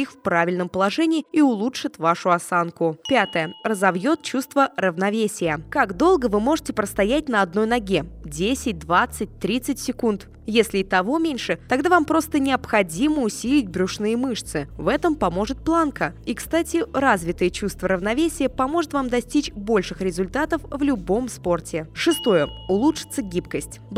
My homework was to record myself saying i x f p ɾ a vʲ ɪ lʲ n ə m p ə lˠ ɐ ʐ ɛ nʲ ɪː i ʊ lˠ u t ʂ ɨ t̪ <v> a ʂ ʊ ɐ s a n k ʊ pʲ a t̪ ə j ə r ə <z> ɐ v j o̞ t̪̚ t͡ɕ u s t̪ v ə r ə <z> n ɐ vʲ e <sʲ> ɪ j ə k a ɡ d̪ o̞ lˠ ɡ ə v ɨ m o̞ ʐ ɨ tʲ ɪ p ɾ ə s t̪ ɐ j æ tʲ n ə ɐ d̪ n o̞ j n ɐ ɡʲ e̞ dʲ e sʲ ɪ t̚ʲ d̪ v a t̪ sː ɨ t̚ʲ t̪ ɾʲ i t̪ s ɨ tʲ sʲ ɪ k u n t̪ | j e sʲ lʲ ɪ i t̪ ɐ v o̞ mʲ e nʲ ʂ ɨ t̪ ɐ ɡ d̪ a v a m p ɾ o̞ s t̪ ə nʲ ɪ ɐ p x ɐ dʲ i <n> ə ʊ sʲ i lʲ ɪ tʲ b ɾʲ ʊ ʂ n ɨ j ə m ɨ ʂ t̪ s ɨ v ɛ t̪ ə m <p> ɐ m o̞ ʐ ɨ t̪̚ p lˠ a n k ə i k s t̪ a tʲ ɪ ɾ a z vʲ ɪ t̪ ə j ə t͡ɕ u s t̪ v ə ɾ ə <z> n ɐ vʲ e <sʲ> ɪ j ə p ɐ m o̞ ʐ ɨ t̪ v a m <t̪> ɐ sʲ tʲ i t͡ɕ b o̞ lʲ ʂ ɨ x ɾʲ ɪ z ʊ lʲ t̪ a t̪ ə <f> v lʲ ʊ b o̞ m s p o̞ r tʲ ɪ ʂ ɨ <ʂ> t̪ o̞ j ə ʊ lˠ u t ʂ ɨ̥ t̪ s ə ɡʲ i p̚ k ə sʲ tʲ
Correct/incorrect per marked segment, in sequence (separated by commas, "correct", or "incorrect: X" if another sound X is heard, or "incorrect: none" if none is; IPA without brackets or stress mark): correct, correct, incorrect: v, correct, incorrect: m, correct, incorrect: v, correct, incorrect: d̪, correct, incorrect: s